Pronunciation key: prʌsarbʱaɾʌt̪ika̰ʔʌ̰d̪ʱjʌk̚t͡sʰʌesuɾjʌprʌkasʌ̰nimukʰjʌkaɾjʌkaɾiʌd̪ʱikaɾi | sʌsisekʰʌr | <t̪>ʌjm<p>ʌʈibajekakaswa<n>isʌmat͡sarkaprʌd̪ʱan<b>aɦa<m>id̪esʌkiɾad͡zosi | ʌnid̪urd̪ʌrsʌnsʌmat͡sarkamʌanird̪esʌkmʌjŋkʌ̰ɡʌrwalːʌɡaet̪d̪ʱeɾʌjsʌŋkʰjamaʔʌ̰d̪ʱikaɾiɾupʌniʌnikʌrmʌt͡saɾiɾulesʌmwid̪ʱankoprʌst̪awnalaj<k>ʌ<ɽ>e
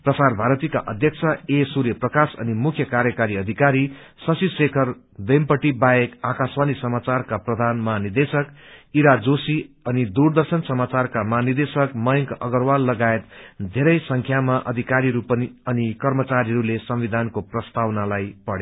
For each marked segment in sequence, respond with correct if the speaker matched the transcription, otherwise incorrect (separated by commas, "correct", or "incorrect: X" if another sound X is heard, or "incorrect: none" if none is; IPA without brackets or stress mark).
incorrect: d̪, correct, correct, incorrect: m, incorrect: n, incorrect: p, correct